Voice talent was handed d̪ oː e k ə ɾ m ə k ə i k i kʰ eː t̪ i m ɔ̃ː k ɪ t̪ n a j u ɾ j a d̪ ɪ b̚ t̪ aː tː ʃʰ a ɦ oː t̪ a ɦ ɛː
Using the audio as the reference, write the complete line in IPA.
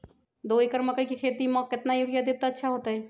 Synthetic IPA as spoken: d̪ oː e k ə ɾ m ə k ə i k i kʰ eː t̪ i m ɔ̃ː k ɪ t̪ n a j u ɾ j a d̪ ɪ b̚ t̪ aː tː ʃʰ a ɦ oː t̪ a ɦ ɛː